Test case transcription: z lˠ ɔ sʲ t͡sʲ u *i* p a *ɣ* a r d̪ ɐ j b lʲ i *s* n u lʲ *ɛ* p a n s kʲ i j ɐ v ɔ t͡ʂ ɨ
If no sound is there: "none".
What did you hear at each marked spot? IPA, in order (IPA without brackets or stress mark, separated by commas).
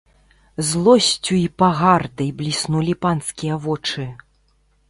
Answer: i, ɣ, s, i